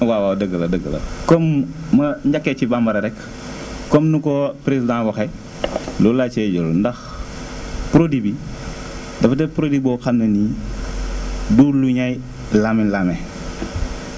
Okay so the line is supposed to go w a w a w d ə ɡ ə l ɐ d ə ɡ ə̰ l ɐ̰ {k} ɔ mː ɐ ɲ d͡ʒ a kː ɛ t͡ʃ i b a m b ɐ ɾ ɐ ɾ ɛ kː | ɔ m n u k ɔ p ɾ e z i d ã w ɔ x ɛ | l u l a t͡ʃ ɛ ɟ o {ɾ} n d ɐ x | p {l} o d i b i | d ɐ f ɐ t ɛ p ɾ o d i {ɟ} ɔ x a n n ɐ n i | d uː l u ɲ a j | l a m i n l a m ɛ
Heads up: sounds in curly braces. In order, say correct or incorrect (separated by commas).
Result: correct, incorrect, incorrect, incorrect